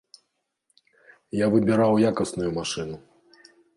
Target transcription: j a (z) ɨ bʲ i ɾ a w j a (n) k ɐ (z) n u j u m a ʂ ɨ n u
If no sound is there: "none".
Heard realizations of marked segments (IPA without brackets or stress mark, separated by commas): v, none, s